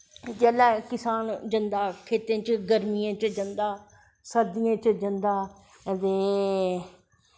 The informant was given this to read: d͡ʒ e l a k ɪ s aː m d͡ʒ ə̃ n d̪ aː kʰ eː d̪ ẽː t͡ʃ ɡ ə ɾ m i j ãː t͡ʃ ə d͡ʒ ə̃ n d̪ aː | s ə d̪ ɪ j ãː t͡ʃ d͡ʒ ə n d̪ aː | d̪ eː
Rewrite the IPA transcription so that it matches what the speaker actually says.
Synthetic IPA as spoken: d͡ʒ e l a k ɪ s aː n d͡ʒ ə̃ n d̪ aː kʰ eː t̪ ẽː t͡ʃ ɡ ə ɾ m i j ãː t͡ʃ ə d͡ʒ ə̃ n d̪ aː | s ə d̪ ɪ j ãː t͡ʃ d͡ʒ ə n d̪ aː | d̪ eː

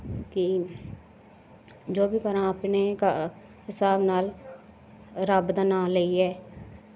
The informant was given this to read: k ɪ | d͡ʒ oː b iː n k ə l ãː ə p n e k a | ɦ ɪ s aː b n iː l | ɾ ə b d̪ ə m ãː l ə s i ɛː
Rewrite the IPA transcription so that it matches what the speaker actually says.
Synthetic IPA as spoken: k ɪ | d͡ʒ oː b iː k ə ɾ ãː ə p n e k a | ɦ ɪ s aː b n aː l | ɾ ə b d̪ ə n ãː l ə i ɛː

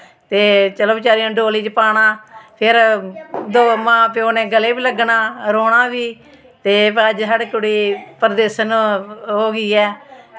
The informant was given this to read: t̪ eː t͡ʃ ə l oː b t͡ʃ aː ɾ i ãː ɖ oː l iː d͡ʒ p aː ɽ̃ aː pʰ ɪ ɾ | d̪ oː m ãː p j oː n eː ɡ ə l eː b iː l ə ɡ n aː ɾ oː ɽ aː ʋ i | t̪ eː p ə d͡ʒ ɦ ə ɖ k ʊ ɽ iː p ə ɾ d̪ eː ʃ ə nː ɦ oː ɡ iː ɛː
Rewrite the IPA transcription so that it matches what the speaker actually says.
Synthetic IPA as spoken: t̪ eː t͡ʃ ə l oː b t͡ʃ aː ɾ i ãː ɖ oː l iː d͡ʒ p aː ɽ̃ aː pʰ ɪ ɾ | d̪ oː m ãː p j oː n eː ɡ ə l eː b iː l ə ɡ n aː ɾ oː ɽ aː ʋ iː | t̪ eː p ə d͡ʒ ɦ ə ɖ k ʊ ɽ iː p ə ɾ d̪ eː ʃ ə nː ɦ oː ɡ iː ɛː

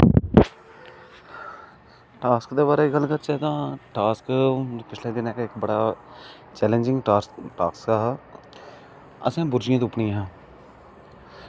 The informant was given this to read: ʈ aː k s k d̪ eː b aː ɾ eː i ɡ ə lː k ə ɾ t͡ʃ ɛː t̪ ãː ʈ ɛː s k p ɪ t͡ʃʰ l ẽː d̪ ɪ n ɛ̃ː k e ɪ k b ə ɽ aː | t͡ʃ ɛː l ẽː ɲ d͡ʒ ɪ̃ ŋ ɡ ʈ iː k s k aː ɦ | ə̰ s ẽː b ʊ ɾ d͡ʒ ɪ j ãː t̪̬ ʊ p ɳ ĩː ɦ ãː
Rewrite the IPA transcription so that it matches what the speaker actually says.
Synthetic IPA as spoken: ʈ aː s k d̪ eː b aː ɾ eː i ɡ ə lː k ə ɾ t͡ʃ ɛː t̪ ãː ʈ aː s k p ɪ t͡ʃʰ l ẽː d̪ ɪ n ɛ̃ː k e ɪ k b ə ɽ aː | t͡ʃ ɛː l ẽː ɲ d͡ʒ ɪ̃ ŋ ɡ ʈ aː k s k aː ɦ | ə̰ s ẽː b ʊ ɾ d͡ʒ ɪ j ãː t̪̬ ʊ p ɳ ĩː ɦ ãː

